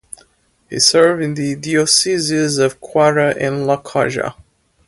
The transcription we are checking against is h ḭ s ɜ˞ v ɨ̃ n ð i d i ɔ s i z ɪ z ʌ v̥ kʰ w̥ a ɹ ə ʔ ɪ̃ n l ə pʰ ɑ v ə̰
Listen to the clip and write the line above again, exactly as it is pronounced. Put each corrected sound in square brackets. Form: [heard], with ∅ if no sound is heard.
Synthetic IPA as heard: h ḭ s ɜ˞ v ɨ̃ n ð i d i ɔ s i z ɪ z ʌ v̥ kʰ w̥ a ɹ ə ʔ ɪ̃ n l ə [kʰ] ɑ [ʒ] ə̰